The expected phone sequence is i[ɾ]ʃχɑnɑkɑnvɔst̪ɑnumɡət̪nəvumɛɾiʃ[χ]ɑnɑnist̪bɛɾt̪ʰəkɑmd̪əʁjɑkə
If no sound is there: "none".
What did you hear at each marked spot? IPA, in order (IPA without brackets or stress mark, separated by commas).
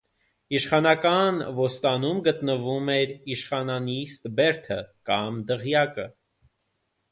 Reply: none, χ